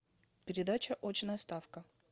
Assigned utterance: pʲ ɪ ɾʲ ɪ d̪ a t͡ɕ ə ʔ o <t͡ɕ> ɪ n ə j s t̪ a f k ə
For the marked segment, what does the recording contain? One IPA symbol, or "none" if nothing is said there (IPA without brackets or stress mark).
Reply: t͡ɕ